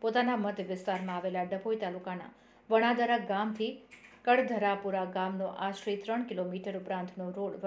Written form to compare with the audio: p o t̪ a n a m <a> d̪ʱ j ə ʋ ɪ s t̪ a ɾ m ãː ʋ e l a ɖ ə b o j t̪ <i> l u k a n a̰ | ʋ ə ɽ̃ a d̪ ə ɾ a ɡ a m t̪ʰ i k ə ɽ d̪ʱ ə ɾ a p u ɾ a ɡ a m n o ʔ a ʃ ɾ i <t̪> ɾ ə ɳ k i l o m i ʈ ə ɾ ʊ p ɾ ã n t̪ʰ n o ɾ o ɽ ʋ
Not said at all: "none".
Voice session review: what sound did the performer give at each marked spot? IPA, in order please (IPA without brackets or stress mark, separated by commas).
ə, a, t̪